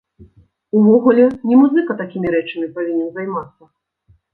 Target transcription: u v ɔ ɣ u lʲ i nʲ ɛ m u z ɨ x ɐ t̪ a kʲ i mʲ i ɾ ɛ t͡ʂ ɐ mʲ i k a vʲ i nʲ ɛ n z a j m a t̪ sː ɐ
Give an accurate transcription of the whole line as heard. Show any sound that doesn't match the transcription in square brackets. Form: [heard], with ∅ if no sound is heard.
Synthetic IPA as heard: u v ɔ ɣ u lʲ [ɛ] nʲ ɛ m u z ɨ [k] ɐ t̪ a kʲ i mʲ i ɾ ɛ t͡ʂ ɐ mʲ i [p] a vʲ i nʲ ɛ n z a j m a t̪ sː ɐ